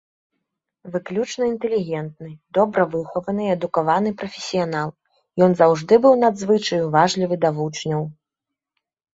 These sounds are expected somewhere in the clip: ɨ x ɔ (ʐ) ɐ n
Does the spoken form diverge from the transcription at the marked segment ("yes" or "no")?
yes